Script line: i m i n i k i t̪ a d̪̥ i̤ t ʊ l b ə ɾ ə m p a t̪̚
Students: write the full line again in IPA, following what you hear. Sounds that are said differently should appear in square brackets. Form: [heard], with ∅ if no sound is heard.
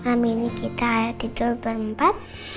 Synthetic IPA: [a] m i n i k i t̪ a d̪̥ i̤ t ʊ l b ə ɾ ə m p a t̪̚